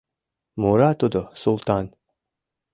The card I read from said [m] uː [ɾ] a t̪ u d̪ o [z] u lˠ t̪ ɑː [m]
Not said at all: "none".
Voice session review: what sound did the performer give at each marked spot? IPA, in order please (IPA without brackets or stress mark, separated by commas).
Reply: m, ɾ, s, n